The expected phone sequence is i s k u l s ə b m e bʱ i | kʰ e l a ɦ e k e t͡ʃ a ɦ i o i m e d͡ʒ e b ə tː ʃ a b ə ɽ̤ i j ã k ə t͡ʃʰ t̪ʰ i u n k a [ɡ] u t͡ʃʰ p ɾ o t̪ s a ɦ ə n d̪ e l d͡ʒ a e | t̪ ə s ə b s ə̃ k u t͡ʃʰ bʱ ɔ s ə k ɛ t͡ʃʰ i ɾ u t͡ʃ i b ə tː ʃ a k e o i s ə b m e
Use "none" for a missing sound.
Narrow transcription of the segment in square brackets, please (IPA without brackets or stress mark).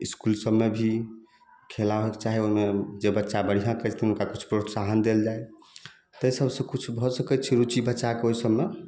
k